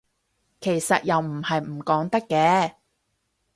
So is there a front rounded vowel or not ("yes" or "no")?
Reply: no